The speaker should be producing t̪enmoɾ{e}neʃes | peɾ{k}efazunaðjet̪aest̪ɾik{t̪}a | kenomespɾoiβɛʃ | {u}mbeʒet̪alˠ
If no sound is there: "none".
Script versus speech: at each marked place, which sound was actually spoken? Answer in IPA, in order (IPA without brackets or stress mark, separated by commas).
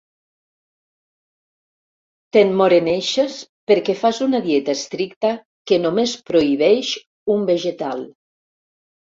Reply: e, k, t̪, u